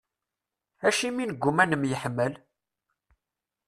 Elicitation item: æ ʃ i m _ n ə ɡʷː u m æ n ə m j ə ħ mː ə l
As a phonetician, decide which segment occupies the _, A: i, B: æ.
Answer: A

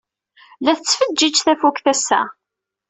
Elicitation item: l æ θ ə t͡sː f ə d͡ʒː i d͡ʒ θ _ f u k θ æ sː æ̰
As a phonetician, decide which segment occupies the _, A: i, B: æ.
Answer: B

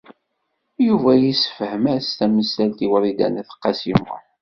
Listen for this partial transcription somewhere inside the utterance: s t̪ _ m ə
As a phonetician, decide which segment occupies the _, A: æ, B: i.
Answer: A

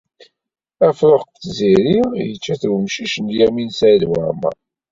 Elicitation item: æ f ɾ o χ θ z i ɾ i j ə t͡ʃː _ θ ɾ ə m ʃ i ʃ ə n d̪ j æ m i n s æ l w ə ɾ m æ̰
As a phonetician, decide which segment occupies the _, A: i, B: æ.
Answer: B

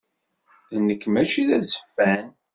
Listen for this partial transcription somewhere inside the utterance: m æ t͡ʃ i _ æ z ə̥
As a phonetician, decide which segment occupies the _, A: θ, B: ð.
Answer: B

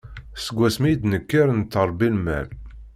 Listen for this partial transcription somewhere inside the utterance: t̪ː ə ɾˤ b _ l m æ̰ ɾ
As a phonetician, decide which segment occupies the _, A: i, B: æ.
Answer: A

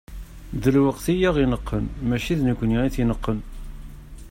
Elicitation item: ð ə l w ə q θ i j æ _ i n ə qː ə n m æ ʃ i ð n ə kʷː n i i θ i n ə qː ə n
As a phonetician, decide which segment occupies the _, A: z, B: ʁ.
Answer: B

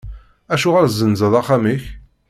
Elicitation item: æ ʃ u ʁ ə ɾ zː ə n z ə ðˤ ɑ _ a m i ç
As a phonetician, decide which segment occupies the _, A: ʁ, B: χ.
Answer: B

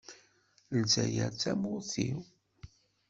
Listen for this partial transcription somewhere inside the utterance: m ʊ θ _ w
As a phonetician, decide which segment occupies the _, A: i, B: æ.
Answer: A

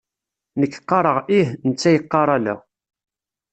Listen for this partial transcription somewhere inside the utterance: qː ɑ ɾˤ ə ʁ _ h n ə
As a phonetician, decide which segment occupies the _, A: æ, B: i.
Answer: B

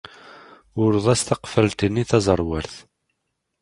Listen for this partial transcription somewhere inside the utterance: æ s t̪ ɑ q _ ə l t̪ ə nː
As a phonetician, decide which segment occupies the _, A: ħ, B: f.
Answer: B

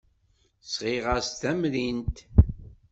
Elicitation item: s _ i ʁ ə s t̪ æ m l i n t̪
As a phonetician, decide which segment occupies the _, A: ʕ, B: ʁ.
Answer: B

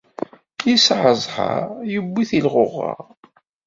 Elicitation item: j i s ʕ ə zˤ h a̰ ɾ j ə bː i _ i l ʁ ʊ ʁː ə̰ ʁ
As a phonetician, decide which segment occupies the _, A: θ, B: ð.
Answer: A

